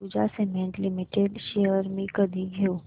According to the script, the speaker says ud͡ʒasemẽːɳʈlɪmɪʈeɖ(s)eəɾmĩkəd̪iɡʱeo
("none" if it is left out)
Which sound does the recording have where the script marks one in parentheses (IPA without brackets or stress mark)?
ʃ